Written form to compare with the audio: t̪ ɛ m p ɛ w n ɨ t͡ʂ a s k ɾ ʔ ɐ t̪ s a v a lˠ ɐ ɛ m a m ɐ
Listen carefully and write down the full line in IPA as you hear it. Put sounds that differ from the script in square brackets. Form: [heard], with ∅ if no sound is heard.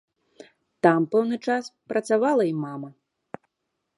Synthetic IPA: t̪ [a] m p ɛ w n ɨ t͡ʂ a s [p] ɾ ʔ ɐ t̪ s a v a lˠ ɐ [i] m a m ɐ